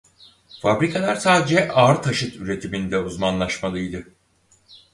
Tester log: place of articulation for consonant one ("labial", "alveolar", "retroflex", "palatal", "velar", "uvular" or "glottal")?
labial